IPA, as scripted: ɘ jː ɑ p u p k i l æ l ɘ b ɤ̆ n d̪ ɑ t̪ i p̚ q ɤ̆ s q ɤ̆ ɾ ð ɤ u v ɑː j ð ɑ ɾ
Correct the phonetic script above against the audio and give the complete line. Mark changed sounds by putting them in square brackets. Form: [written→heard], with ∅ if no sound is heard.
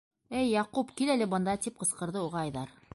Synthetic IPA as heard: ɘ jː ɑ [p→q] u p k i l æ l ɘ b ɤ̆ n d̪ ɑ t̪ i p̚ q ɤ̆ s q ɤ̆ ɾ ð ɤ u [v→ʁ] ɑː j ð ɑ ɾ

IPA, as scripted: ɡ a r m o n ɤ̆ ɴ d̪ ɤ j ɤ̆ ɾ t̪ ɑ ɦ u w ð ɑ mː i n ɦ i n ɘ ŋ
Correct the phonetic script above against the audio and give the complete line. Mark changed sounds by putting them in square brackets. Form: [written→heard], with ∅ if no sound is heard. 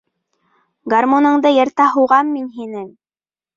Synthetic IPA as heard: ɡ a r m o n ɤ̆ ɴ d̪ ɤ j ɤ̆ ɾ t̪ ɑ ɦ u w [ð→ʁ] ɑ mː i n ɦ i n ɘ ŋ

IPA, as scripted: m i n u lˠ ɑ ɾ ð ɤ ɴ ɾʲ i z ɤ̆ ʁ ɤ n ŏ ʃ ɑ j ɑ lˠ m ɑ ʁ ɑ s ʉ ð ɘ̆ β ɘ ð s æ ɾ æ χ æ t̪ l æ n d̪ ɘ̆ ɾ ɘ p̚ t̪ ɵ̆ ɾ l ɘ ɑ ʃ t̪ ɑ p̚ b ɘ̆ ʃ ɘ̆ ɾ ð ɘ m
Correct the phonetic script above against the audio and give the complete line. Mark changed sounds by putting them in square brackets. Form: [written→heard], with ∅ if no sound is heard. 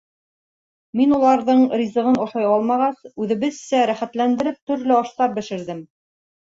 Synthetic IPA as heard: m i n u lˠ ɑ ɾ ð ɤ ɴ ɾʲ i z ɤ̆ ʁ ɤ n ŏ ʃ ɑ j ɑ lˠ m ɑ ʁ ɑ s ʉ ð ɘ̆ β ɘ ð s æ ɾ æ χ æ t̪ l æ n d̪ ɘ̆ ɾ ɘ p̚ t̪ ɵ̆ ɾ l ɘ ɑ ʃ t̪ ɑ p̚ b ɘ̆ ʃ ɘ̆ ɾ ð ɘ m

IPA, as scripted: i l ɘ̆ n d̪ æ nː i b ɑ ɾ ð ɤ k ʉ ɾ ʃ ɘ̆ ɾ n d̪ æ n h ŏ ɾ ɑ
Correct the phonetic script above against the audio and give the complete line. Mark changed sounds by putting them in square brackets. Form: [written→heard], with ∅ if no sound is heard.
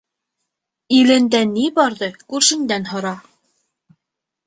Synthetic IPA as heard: i l ɘ̆ n d̪ æ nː i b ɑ ɾ ð ɤ k ʉ ɾ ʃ ɘ̆ [ɾ→∅] n d̪ æ n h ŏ ɾ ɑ

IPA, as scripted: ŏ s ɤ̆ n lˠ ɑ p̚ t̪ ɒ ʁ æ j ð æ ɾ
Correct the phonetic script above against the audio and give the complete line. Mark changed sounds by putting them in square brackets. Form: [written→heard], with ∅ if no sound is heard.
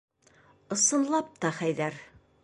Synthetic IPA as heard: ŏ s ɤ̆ n lˠ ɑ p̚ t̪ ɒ [ʁ→χ] æ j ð æ ɾ

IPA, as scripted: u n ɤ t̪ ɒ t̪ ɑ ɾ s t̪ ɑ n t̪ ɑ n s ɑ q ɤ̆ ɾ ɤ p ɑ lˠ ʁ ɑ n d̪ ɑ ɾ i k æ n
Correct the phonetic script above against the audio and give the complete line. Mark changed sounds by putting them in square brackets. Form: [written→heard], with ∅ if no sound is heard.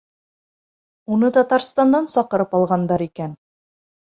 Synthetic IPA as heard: u n ɤ t̪ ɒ t̪ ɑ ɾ s t̪ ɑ n [t̪→d̪] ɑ n s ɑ q ɤ̆ ɾ ɤ p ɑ lˠ ʁ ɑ n d̪ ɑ ɾ i k æ n

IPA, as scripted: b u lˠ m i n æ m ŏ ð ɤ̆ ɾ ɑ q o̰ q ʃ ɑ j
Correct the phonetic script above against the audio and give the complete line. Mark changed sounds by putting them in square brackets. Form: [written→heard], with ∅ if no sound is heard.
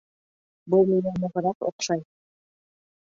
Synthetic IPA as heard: b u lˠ m i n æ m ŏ [ð→ʁ] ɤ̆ ɾ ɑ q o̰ q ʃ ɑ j

